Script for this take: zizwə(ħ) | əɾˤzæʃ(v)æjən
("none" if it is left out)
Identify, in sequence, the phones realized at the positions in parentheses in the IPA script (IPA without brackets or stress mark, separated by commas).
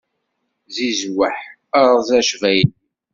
ħ, v